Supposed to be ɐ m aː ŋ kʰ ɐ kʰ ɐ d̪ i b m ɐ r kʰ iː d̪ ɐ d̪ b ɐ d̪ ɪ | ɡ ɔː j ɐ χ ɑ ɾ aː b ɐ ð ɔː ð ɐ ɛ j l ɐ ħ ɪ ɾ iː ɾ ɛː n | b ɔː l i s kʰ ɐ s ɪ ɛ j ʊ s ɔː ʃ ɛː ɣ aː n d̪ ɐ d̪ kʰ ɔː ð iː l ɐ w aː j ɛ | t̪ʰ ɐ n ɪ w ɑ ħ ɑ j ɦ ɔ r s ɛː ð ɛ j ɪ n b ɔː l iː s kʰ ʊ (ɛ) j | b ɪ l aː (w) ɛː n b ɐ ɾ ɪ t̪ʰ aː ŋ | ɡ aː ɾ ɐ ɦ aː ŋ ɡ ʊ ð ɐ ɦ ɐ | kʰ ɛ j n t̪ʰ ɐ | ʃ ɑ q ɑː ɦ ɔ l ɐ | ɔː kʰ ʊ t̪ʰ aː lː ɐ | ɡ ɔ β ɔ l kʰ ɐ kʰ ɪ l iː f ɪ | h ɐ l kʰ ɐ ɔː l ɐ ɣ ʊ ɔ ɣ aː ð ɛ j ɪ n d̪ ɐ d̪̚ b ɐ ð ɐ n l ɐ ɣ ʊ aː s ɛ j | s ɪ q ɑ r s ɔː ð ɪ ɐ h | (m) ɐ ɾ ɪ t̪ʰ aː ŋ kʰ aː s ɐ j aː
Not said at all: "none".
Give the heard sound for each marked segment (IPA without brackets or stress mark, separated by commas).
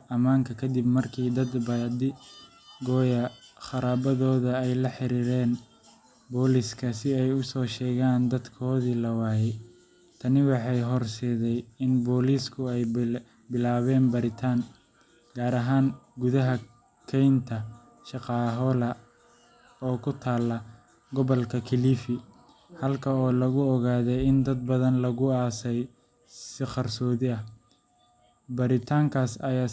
ɛ, β, b